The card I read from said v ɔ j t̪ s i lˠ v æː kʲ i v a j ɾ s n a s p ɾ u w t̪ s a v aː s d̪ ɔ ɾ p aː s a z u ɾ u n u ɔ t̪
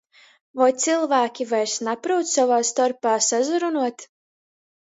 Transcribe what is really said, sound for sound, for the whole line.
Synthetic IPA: v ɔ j t̪ s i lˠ v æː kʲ i v a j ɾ s n a p ɾ u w t̪ s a v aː s t̪ ɔ ɾ p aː s a z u ɾ u n u ɔ t̪

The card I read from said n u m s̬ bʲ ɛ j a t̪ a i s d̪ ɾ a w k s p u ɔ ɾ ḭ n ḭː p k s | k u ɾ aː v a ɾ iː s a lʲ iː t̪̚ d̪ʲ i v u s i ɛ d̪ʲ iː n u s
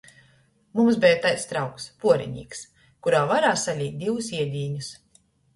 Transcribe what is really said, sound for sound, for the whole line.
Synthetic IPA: m u m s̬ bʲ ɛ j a t̪ a j s t̪ ɾ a w k s p u ɔ ɾ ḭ ɲ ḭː k s | k u ɾ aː v a ɾ aː s a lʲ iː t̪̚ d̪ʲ i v u s i ɛ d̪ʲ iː ɲ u s

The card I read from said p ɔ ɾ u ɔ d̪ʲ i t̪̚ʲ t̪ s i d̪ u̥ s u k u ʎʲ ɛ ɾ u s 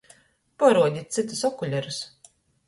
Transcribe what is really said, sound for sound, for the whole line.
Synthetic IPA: p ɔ ɾ u ɔ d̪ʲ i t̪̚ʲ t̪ s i t̪ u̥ s ɔ k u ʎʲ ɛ ɾ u s

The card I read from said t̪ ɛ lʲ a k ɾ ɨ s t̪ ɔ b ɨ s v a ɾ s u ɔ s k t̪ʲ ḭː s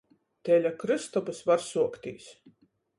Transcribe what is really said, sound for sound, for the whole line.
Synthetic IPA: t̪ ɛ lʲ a k ɾ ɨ s t̪ ɔ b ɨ s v a ɾ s u ɔ k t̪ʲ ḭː s

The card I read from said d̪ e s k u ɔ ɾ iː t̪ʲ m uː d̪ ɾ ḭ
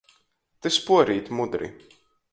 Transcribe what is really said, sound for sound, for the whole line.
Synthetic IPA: t̪ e s p u ɔ ɾ iː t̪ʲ m u d̪ ɾ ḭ

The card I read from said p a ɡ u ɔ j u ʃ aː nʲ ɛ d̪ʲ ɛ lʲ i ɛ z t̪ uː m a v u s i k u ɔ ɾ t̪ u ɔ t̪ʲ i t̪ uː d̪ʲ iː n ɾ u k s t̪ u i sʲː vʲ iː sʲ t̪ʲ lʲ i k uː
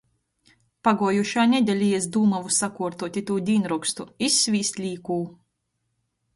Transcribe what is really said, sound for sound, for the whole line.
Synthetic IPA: p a ɡ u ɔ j u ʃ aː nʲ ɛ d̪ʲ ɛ lʲ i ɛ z d̪ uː m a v u s a k u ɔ ɾ t̪ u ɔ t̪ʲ i t̪ uː d̪ʲ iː n ɾ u k s t̪ u i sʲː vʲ iː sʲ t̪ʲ lʲ iː k uː

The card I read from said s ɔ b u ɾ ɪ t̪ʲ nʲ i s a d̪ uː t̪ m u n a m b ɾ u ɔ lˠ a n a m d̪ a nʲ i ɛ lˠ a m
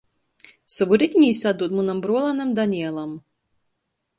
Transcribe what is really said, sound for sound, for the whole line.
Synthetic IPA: s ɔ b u ɾ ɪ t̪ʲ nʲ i s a d̪ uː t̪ m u n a m b ɾ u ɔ lˠ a n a m d̪ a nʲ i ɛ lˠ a m

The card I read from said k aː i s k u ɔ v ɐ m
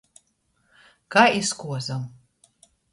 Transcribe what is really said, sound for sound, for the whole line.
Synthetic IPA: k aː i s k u ɔ z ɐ m

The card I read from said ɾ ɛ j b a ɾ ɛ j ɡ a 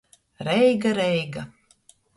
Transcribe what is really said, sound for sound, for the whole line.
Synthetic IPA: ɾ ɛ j ɡ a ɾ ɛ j ɡ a

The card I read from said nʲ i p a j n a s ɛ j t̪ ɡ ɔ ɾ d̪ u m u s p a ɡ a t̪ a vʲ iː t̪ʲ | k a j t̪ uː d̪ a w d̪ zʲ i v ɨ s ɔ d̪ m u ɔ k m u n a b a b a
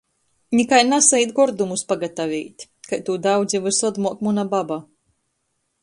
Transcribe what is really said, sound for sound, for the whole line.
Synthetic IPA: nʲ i k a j n a s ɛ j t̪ ɡ ɔ ɾ d̪ u m u s p a ɡ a t̪ a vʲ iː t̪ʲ | k a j t̪ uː d̪ a w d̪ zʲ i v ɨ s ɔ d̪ m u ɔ k m u n a b a b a

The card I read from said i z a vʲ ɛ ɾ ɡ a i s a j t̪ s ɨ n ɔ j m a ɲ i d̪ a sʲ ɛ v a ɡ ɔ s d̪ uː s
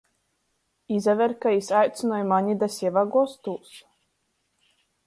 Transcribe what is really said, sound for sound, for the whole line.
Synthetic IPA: i z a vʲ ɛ ɾ k a i s a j t̪ s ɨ n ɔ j m a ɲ i d̪ a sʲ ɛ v a ɡ ɔ s t̪ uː s

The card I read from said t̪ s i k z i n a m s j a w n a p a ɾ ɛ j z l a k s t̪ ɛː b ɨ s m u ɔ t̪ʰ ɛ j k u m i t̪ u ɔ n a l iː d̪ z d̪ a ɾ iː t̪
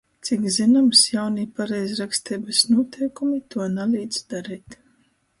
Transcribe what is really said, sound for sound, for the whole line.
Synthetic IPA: t̪ s i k z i n a m s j a w n i p a ɾ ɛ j z ɾ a k s t̪ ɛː b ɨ s n u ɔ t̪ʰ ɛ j k u m i t̪ u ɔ n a l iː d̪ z d̪ a ɾ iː t̪

